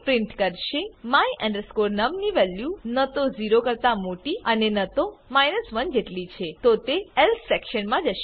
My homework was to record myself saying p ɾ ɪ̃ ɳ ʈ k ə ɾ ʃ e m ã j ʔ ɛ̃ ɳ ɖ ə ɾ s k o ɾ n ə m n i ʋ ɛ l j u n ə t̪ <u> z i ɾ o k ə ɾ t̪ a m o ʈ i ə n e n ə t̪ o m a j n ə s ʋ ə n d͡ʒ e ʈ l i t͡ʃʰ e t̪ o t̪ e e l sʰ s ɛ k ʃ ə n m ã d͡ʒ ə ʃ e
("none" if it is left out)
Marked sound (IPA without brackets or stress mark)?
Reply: o